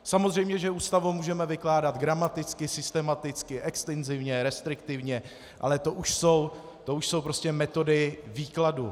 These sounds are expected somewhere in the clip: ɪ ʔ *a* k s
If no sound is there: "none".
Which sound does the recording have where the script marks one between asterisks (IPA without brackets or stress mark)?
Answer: ɛ